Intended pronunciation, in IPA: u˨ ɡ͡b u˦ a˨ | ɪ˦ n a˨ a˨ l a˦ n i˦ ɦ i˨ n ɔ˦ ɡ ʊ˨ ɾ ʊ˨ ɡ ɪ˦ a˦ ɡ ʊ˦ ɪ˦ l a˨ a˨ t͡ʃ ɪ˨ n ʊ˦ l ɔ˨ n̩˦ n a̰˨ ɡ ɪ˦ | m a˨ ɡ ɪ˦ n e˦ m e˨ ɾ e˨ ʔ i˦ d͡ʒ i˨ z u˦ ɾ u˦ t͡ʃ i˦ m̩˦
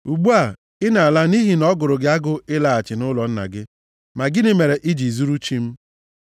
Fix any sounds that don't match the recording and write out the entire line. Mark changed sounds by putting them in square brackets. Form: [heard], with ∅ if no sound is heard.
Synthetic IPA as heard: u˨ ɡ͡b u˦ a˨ | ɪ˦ n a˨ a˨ l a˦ n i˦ ɦ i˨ n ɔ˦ ɡ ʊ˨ ɾ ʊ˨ ɡ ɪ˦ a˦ ɡ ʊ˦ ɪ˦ l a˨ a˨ t͡ʃ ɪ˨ n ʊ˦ l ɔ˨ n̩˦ n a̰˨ ɡ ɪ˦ | m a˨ ɡ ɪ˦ n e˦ m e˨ ɾ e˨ ʔ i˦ d͡ʒ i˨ z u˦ ɾ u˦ t͡ʃ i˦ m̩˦

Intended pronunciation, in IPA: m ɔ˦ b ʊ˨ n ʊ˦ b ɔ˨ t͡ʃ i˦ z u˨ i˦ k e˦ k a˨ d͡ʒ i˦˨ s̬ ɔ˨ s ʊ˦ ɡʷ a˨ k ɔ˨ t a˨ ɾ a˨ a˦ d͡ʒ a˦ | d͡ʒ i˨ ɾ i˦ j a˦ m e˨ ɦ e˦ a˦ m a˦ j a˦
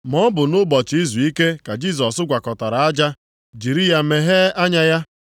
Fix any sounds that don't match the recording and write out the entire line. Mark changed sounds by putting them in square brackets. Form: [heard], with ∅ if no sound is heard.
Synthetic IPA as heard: m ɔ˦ b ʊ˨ n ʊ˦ b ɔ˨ t͡ʃ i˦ z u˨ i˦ k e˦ k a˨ d͡ʒ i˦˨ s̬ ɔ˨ s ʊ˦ ɡʷ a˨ k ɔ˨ t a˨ ɾ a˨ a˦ d͡ʒ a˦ | d͡ʒ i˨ ɾ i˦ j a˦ m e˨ ɦ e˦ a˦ [ɲ] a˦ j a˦

